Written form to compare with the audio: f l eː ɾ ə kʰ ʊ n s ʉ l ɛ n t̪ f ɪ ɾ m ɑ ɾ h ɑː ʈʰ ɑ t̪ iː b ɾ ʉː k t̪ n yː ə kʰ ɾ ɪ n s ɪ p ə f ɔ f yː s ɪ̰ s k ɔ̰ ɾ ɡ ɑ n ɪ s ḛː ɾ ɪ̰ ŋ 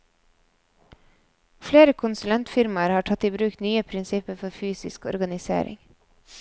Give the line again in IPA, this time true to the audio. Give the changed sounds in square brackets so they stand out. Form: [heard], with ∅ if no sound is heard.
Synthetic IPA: f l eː ɾ ə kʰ ʊ n s ʉ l ɛ n t̪ f ɪ ɾ m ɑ ɾ h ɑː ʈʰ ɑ t̪ iː b ɾ ʉː k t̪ n yː ə [pʰ] ɾ ɪ n s ɪ p ə f ɔ f yː s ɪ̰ s k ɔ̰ ɾ ɡ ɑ n ɪ s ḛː ɾ ɪ̰ ŋ